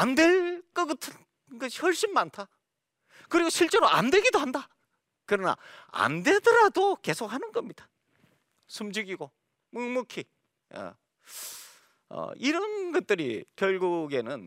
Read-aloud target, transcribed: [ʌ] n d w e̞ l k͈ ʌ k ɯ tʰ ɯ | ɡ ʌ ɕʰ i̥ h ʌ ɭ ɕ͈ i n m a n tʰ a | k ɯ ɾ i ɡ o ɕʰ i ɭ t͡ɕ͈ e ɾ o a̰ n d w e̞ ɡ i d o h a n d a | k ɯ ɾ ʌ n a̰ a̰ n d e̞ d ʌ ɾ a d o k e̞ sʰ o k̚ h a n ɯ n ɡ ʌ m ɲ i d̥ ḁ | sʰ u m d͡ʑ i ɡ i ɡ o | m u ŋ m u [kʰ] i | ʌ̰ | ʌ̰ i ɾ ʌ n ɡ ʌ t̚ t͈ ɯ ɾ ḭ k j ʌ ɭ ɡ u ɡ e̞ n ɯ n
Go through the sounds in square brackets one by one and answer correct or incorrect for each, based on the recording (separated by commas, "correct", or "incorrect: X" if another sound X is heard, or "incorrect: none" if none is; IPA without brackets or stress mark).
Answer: incorrect: a, correct